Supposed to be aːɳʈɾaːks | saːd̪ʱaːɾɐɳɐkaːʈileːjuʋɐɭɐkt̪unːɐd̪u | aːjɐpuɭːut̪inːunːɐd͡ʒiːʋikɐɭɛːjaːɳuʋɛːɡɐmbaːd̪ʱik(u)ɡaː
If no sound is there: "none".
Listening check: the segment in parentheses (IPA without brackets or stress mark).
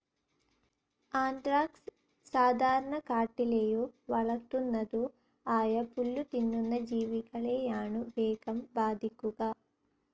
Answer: u